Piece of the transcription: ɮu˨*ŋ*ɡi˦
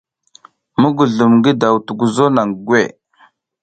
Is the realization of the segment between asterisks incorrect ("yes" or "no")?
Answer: yes